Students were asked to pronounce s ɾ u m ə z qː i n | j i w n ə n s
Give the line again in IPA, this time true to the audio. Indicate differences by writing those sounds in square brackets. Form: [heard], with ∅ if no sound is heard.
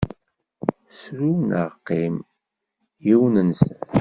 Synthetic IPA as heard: s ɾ u [n] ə [ʁ] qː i [m] | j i w n ə n s